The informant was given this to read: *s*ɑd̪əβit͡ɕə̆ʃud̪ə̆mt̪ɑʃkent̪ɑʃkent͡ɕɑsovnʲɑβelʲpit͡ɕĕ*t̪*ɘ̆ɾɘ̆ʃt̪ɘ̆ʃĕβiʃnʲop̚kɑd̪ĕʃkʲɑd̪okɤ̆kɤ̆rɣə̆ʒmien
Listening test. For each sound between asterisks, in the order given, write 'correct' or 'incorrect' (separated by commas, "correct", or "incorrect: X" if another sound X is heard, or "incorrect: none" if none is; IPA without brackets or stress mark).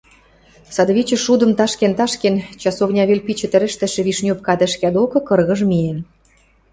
correct, correct